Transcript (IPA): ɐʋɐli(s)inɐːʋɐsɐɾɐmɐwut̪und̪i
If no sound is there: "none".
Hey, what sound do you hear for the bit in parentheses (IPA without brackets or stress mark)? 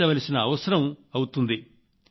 s